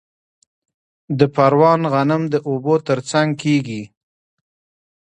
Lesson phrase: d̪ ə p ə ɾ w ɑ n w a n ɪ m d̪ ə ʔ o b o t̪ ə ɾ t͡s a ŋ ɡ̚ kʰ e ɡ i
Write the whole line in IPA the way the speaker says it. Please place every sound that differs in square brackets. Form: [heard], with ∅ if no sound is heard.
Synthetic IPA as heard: d̪ ə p [a] ɾ w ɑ n [ɣ] a n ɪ m d̪ ə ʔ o b o t̪ ə ɾ t͡s a ŋ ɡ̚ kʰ e ɡ i